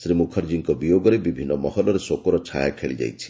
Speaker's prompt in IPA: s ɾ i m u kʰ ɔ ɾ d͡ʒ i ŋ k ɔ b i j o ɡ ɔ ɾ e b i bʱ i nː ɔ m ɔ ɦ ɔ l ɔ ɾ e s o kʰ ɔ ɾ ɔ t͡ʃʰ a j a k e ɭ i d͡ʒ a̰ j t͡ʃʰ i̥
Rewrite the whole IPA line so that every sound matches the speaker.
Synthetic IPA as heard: s ɾ i m u kʰ ɔ ɾ d͡ʒ i ŋ k ɔ b i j o ɡ ɔ ɾ e b i bʱ i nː ɔ m ɔ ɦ ɔ l ɔ ɾ e s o k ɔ ɾ ɔ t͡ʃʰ a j a kʰ e ɭ i d͡ʒ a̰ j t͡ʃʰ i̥